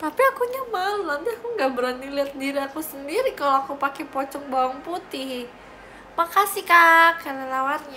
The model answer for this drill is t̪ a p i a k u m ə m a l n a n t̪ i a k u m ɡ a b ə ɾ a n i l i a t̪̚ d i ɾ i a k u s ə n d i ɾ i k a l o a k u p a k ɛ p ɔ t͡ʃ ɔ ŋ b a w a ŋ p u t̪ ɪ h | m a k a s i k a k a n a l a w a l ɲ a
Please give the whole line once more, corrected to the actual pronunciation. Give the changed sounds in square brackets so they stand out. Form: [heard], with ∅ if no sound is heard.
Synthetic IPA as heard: t̪ a p i a k u [ɲ] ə m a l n a n t̪ i a k u [ŋ] ɡ a b ə ɾ a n i l i a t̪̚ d i ɾ i a k u s ə n d i ɾ i k a l o a k u p a k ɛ p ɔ t͡ʃ ɔ ŋ b a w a ŋ p u t̪ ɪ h | m a k a s i k a k a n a l a w a [r] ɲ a